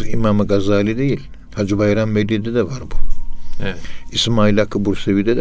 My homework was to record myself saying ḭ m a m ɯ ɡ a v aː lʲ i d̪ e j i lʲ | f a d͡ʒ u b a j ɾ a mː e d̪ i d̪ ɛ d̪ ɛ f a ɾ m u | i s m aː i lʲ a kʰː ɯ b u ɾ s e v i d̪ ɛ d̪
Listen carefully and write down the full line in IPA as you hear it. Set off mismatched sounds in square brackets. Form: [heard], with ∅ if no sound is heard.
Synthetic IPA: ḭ m a m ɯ ɡ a [z] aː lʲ i d̪ e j i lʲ | [h] a d͡ʒ u b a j ɾ a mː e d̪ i d̪ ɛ d̪ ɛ [v] a ɾ [b] u | i s m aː i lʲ a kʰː ɯ b u ɾ s e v i d̪ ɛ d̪